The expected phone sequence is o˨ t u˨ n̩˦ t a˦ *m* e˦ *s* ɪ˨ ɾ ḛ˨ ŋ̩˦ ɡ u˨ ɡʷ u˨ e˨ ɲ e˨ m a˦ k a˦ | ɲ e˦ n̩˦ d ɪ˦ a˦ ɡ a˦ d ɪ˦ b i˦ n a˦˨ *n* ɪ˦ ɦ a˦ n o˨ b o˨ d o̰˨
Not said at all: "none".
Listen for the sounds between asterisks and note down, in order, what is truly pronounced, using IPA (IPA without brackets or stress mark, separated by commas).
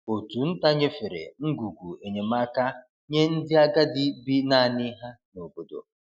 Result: ɲ, f, n